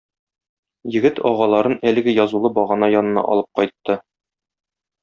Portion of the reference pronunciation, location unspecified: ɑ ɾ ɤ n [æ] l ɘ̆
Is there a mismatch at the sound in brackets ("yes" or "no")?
no